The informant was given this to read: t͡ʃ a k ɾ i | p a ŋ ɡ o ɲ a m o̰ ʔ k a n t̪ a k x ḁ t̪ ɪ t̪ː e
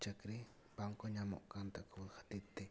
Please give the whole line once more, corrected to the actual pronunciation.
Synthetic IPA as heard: t͡ʃ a k ɾ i | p a ŋ k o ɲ a m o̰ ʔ k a n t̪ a k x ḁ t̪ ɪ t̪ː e

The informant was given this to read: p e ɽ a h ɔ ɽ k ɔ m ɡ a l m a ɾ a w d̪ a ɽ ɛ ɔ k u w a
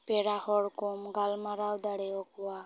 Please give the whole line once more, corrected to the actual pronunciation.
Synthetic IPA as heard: p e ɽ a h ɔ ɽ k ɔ m ɡ a l m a ɾ a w d̪ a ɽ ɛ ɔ k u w a

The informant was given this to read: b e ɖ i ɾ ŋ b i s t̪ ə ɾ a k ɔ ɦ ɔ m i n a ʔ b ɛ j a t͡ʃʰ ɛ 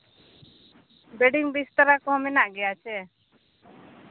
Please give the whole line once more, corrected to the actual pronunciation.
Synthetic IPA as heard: b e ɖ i ŋ b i s t̪ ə ɾ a k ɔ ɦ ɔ m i n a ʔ ɡ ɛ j a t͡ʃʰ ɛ

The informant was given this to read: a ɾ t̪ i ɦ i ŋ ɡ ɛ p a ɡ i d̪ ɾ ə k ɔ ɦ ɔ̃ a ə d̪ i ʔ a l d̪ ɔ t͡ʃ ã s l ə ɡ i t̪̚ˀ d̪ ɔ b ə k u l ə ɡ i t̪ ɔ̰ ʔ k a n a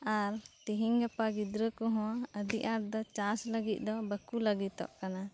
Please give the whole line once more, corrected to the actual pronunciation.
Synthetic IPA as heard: a ɾ t̪ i ɦ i ŋ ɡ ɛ p a ɡ i d̪ ɾ ə k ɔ ɦ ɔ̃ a ə d̪ i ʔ a ɾ d̪ ɔ t͡ʃ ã s l ə ɡ i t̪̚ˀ d̪ ɔ b ə k u l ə ɡ i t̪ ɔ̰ ʔ k a n a

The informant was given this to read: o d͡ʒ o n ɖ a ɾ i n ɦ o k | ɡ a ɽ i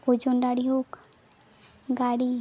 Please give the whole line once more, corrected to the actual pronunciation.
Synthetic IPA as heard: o d͡ʒ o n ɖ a ɽ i ɦ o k | ɡ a ɽ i

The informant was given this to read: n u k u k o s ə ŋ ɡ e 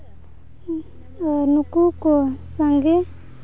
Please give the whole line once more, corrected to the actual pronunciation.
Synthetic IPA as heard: n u k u k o s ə ŋ ɡ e

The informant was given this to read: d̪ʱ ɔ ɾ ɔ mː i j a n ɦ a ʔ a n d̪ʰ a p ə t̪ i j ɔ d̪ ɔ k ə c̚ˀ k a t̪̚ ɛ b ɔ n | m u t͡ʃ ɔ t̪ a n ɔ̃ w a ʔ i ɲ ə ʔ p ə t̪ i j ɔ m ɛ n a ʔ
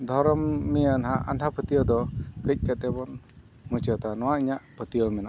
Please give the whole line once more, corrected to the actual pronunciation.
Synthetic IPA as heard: d̪ʱ ɔ ɾ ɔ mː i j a n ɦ a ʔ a n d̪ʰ a p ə t̪ i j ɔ d̪ ɔ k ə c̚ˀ k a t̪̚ ɛ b ɔ n | m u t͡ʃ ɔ t̪ a n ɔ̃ w a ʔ i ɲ a ʔ p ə t̪ i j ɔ m ɛ n a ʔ

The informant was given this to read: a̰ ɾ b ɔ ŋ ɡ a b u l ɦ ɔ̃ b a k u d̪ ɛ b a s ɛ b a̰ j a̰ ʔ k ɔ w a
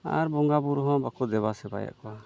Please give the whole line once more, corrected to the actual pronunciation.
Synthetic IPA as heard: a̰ ɾ b ɔ ŋ ɡ a b u ɾ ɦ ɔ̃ b a k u d̪ ɛ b a s ɛ b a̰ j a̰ ʔ k ɔ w a

